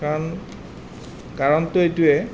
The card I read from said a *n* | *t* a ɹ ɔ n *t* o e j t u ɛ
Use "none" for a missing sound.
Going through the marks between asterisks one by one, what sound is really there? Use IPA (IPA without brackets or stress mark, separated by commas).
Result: n, k, t